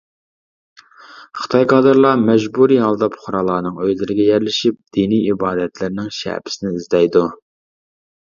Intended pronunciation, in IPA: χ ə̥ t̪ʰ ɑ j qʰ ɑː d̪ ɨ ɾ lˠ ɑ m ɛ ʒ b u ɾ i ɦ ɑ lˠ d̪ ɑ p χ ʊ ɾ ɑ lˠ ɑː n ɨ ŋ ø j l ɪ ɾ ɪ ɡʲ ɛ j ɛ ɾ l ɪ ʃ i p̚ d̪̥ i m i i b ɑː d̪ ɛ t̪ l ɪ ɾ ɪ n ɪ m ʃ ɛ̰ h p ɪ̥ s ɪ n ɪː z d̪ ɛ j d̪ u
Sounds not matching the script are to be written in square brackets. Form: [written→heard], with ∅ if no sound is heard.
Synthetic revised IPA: χ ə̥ t̪ʰ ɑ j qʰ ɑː d̪ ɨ ɾ lˠ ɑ m ɛ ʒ b u ɾ i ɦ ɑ lˠ d̪ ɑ p χ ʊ ɾ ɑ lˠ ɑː n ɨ ŋ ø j l ɪ ɾ ɪ ɡʲ ɛ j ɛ ɾ l ɪ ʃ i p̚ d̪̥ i [m→n] i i b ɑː d̪ ɛ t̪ l ɪ ɾ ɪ n ɪ [m→ŋ] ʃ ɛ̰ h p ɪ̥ s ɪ n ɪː z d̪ ɛ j d̪ u